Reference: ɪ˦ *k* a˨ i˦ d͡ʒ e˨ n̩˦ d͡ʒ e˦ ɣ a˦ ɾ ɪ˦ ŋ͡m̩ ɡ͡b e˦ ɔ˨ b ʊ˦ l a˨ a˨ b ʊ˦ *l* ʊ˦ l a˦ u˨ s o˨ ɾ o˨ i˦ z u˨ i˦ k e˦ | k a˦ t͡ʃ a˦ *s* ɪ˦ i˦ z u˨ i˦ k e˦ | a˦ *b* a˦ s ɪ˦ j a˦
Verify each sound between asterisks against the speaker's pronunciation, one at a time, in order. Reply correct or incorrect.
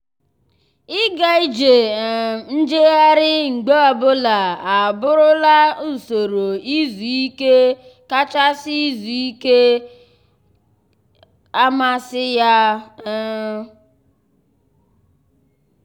incorrect, incorrect, correct, incorrect

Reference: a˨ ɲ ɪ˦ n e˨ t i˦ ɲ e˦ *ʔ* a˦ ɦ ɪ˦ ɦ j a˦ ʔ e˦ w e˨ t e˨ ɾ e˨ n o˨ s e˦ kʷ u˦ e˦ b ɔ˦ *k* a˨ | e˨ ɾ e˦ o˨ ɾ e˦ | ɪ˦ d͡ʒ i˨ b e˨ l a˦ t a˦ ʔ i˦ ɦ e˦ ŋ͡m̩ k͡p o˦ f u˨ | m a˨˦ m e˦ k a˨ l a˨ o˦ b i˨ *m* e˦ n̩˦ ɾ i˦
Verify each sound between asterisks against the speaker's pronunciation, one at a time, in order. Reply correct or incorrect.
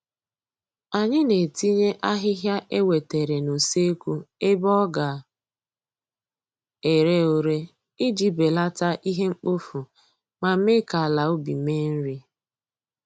correct, incorrect, correct

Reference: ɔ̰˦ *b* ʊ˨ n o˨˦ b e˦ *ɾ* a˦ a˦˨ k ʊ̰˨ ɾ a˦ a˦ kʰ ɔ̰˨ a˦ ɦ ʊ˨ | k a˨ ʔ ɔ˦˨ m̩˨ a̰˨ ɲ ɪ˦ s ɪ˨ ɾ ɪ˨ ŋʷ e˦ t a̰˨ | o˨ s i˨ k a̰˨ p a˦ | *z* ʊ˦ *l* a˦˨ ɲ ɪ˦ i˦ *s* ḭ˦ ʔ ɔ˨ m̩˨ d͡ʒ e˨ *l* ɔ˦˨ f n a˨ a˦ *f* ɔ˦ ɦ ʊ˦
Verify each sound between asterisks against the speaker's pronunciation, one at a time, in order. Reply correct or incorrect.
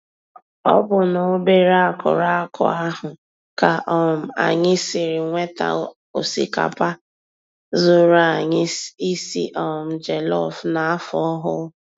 correct, correct, correct, incorrect, correct, correct, correct

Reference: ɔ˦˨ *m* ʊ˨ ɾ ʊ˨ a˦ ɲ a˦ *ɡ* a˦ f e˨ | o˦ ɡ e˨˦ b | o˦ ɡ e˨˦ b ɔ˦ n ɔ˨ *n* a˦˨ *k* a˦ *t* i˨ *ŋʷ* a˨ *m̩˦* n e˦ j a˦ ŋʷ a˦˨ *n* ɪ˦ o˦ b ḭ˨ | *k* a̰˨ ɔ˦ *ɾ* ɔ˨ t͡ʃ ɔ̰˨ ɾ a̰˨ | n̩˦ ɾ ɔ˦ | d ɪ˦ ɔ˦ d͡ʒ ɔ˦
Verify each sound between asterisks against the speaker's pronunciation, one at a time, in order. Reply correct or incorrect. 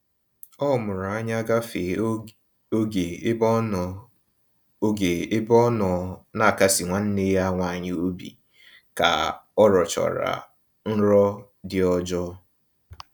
correct, correct, correct, correct, incorrect, correct, incorrect, incorrect, correct, correct

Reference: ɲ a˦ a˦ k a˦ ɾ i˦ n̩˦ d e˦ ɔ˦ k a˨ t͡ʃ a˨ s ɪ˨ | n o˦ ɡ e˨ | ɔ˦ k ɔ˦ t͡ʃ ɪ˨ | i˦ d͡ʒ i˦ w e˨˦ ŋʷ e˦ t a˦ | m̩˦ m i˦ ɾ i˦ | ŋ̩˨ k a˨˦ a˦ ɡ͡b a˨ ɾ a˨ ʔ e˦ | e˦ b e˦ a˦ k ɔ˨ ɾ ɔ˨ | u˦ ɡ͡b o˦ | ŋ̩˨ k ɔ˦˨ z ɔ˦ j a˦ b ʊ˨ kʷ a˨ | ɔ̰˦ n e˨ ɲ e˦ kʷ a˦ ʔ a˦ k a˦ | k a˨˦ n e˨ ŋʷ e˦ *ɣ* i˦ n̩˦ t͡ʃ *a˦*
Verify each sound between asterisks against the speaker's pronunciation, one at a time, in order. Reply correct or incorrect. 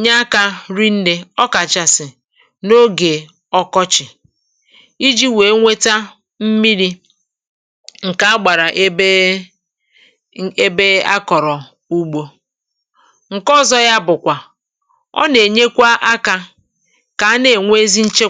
incorrect, incorrect

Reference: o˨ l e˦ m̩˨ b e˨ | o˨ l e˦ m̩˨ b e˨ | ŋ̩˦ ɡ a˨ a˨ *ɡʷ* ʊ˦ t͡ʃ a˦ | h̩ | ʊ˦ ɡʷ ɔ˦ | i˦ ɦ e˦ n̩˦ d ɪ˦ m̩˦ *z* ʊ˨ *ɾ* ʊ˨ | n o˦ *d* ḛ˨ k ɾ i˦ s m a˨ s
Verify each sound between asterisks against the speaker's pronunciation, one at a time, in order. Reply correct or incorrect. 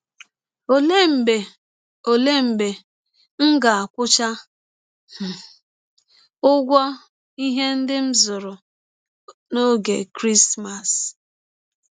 incorrect, correct, correct, incorrect

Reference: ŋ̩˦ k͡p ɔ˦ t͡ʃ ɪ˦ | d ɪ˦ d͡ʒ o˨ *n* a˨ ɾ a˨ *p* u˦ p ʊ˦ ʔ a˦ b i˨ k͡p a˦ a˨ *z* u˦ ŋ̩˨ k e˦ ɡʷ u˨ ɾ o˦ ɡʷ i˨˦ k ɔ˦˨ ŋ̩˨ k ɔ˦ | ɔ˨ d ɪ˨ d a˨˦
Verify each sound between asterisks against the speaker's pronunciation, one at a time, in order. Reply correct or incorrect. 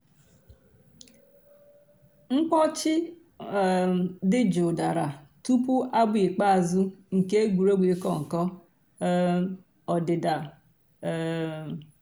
incorrect, incorrect, correct

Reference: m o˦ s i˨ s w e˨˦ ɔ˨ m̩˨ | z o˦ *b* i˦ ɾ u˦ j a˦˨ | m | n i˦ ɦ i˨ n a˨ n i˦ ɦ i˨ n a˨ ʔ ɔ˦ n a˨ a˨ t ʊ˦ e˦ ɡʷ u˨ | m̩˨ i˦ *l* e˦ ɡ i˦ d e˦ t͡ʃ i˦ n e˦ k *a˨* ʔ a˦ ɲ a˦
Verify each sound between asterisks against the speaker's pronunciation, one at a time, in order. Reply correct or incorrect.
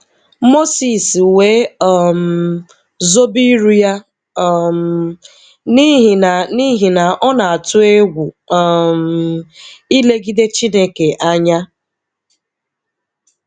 correct, correct, incorrect

